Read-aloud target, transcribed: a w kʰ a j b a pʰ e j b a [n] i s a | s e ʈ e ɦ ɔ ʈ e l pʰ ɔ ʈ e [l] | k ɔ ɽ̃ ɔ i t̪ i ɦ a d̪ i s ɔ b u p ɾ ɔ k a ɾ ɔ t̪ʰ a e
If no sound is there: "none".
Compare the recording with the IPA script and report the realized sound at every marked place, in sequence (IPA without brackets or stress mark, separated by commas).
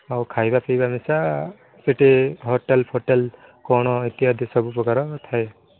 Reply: m, l